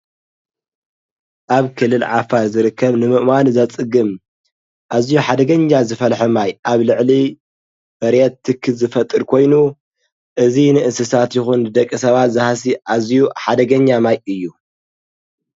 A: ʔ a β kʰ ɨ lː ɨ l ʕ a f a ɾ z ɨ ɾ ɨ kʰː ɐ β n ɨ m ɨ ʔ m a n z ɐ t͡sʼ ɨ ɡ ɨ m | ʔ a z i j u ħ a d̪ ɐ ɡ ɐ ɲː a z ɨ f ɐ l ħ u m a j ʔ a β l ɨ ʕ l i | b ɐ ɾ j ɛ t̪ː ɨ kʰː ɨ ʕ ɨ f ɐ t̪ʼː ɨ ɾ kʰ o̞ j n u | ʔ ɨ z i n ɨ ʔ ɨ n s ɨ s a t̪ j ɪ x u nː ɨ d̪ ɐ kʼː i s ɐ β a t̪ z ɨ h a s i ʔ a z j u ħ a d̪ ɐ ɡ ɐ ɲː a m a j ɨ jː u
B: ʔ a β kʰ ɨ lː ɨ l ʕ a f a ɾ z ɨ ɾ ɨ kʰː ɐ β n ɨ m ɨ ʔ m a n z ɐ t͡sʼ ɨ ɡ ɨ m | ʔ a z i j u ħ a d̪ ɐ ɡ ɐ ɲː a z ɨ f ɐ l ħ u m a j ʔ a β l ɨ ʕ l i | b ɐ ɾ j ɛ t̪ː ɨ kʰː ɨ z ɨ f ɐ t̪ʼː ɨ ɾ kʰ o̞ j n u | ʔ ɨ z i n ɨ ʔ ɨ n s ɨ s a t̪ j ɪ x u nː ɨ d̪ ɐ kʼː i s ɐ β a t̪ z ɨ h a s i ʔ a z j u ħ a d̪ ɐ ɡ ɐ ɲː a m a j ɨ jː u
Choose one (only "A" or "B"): B